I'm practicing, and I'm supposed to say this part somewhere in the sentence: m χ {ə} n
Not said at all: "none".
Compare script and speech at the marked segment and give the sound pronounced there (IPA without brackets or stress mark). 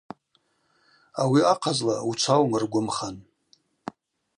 a